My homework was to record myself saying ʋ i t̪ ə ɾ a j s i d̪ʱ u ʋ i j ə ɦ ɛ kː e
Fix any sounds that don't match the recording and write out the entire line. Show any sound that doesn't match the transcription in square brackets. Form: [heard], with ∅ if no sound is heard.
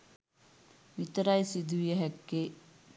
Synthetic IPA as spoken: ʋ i t̪ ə ɾ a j s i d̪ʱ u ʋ i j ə ɦ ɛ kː e

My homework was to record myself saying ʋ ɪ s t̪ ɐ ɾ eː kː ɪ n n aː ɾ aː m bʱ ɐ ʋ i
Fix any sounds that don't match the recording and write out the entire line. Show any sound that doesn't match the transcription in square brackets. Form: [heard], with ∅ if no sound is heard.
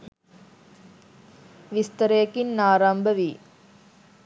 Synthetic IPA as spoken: ʋ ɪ s t̪ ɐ ɾ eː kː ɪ n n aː ɾ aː m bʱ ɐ ʋ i

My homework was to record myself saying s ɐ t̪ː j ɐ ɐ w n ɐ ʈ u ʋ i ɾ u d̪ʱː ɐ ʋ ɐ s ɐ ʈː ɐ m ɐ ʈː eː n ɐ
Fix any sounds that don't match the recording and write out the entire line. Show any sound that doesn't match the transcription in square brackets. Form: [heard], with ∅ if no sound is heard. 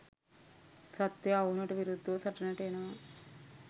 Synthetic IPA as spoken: s ɐ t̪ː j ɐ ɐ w n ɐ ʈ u ʋ i ɾ u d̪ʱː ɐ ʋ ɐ s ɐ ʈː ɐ [n] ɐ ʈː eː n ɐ

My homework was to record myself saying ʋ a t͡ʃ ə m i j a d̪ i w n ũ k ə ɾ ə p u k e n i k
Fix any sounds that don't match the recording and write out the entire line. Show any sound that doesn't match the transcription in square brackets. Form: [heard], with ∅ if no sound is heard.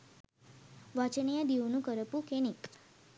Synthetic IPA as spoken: ʋ a t͡ʃ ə [n] i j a d̪ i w n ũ k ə ɾ ə p u k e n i k

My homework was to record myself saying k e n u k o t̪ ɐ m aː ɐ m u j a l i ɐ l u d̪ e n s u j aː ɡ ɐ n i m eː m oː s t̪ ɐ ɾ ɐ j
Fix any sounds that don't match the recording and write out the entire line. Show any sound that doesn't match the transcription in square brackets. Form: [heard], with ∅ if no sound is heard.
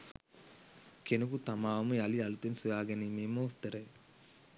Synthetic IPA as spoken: k e n u k [u] t̪ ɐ m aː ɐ m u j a l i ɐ l u [t̪] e n s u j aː ɡ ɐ n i m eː m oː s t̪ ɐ ɾ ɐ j

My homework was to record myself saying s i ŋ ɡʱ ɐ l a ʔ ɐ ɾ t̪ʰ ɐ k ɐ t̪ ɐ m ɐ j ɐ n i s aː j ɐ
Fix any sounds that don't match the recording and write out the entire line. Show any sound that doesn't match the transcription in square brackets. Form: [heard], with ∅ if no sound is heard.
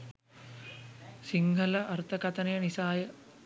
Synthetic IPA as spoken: s i ŋ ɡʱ ɐ l [ɐ] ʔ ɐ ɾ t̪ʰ ɐ k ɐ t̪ ɐ [n] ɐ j ɐ n i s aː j ɐ

